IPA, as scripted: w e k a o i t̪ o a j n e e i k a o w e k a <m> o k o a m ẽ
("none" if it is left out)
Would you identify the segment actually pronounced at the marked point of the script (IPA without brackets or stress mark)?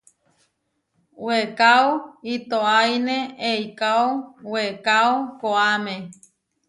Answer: none